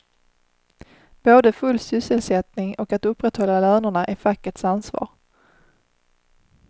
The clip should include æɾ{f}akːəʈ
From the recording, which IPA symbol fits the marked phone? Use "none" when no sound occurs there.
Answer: f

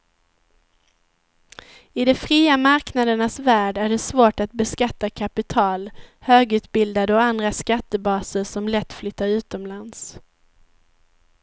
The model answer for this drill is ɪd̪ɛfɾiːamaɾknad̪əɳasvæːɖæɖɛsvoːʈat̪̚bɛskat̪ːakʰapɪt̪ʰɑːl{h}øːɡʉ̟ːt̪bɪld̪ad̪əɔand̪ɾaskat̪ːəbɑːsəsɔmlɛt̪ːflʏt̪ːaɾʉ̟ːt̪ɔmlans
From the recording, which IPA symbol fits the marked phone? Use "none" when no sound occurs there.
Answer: h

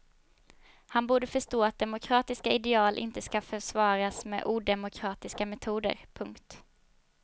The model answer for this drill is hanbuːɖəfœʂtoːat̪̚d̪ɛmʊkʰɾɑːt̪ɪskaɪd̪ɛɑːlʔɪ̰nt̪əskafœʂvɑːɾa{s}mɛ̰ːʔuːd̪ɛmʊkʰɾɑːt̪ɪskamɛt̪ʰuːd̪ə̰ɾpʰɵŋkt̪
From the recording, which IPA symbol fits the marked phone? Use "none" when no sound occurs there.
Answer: s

